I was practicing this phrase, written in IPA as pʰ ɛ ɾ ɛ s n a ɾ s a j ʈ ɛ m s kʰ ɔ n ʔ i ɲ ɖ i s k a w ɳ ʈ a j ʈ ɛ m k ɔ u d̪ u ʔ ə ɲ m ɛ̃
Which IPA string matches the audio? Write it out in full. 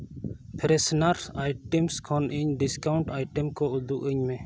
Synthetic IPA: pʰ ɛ ɾ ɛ s n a ɾ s a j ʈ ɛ m s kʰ ɔ n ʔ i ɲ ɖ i s k a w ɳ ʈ a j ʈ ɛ m k ɔ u d̪ u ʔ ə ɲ m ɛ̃